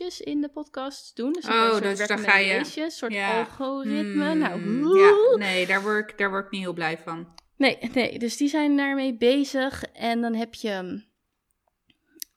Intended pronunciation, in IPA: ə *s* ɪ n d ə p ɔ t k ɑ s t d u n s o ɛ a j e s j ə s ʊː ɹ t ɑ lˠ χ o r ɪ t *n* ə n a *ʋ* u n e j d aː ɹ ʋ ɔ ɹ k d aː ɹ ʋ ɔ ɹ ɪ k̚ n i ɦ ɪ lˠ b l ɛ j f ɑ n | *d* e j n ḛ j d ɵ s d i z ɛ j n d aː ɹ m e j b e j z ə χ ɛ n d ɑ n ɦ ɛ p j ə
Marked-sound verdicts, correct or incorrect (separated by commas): correct, incorrect, incorrect, incorrect